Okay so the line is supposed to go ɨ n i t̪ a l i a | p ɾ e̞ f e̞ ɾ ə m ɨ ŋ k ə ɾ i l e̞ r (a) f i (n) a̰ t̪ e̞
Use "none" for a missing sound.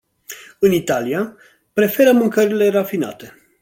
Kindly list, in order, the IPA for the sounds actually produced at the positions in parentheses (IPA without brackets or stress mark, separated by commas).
a, n